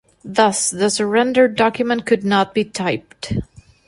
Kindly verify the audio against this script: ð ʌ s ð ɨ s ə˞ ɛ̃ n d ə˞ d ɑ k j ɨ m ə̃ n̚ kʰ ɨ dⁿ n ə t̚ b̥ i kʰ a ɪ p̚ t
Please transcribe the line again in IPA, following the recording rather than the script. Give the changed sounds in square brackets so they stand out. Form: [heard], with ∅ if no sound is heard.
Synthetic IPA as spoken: ð ʌ s ð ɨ s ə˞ ɛ̃ n d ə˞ d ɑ k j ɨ m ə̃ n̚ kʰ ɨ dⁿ n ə t̚ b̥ i [tʰ] a ɪ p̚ t